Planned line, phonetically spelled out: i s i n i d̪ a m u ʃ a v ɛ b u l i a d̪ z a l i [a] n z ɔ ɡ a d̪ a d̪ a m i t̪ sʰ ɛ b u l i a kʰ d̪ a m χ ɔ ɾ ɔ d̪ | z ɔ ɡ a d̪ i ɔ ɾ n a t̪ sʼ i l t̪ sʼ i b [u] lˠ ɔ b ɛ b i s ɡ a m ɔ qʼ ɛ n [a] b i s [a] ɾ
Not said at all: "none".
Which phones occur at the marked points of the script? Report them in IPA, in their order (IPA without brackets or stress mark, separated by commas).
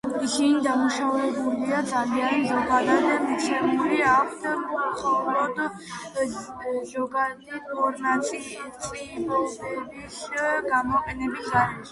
a, ɔ, ɛ, a